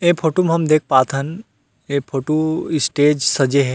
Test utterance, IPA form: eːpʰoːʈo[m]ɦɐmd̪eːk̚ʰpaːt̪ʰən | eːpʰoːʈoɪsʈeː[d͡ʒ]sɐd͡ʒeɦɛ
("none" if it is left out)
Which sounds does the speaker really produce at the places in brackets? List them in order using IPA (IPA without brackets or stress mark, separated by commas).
m, d͡ʒ